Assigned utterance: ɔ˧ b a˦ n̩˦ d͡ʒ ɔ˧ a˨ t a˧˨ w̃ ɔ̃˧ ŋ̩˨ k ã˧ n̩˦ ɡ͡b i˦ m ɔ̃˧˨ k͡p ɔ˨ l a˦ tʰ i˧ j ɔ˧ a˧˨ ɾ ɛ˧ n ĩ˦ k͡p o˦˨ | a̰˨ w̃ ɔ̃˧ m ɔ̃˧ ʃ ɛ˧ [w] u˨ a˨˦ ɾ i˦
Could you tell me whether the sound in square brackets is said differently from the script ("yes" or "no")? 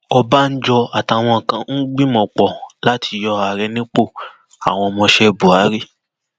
yes